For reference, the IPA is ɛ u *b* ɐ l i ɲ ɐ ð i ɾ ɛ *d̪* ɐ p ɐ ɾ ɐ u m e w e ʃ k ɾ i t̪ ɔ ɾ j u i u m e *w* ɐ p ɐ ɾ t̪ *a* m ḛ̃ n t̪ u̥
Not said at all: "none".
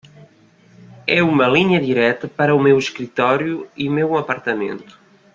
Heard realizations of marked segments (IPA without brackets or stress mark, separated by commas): m, t̪, w, ɐ